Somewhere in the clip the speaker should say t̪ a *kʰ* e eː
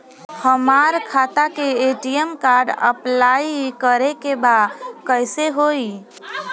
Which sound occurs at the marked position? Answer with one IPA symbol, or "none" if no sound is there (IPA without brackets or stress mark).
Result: k